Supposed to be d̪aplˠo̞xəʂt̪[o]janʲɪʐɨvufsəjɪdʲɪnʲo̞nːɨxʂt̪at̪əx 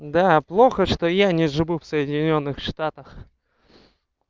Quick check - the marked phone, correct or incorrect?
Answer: correct